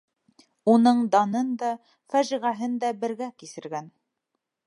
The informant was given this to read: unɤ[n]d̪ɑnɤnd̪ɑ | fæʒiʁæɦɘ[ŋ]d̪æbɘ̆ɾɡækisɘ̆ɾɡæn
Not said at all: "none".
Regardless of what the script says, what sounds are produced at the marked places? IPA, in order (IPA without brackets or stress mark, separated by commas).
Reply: ɴ, n